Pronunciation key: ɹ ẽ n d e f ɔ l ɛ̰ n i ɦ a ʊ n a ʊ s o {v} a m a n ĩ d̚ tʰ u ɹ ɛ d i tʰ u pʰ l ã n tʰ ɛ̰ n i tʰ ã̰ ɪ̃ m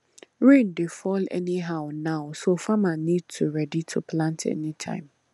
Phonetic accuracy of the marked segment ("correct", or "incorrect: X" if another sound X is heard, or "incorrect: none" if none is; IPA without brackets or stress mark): incorrect: f